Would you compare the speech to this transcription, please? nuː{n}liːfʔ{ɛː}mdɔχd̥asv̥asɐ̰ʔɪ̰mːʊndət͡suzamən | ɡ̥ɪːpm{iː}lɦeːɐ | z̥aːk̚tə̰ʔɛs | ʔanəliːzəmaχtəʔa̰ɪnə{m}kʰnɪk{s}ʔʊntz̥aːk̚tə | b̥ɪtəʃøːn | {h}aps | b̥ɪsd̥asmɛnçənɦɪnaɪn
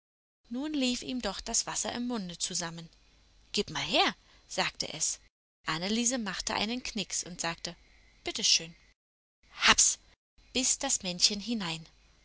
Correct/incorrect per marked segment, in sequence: correct, incorrect: iː, incorrect: aː, incorrect: n, correct, correct

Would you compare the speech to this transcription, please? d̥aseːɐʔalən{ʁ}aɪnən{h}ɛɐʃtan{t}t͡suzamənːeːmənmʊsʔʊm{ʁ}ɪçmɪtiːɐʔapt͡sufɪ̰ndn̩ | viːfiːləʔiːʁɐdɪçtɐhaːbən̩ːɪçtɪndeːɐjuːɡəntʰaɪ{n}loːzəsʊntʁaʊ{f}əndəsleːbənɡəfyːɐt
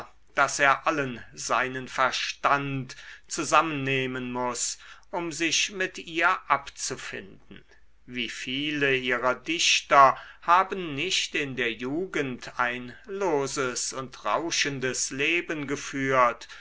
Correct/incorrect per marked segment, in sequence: incorrect: z, incorrect: f, correct, incorrect: z, correct, incorrect: ʃ

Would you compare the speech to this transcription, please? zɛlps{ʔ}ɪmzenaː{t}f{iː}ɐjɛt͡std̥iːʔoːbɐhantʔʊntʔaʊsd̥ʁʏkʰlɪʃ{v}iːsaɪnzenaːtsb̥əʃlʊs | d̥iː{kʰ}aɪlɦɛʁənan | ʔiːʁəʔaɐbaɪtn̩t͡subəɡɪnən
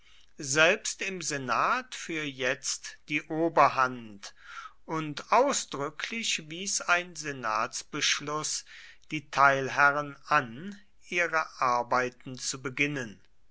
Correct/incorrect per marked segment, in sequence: incorrect: t, correct, incorrect: yː, correct, incorrect: tʰ

